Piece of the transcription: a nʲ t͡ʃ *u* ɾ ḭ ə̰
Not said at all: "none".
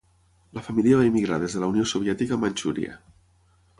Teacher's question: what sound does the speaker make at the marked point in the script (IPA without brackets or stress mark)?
u